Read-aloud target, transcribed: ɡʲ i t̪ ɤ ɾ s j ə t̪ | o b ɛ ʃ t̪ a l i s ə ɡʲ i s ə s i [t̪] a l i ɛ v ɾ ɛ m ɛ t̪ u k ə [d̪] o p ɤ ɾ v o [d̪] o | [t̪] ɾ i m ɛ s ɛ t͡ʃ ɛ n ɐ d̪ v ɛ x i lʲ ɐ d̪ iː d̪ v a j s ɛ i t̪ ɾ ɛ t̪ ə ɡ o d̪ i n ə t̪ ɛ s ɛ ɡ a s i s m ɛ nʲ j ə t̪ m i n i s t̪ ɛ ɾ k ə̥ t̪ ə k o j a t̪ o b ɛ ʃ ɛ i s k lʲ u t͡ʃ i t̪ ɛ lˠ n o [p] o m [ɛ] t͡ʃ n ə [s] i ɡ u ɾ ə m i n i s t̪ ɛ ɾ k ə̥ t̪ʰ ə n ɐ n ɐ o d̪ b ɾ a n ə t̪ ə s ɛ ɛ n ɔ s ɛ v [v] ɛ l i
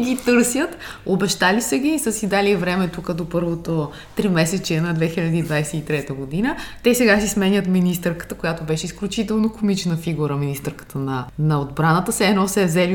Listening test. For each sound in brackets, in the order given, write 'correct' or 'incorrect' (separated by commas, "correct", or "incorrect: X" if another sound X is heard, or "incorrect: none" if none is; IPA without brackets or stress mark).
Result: incorrect: d̪, correct, incorrect: t̪, correct, incorrect: k, incorrect: i, incorrect: f, incorrect: z